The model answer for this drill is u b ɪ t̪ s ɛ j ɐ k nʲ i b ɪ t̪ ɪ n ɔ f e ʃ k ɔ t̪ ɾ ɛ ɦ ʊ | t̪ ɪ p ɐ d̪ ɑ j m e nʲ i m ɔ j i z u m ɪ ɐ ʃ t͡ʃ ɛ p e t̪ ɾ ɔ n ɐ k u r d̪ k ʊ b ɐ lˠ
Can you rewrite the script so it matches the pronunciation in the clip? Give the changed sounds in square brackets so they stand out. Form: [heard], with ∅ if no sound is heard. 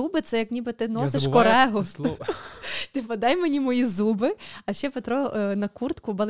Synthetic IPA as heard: u b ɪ t̪ s ɛ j ɐ k nʲ i b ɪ t̪ ɪ n ɔ [s] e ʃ k ɔ [∅] ɾ ɛ ɦ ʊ | t̪ ɪ p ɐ d̪ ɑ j m e nʲ i m ɔ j i z u [b] ɪ ɐ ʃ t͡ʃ ɛ p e t̪ ɾ ɔ n ɐ k u r [t̪] k ʊ b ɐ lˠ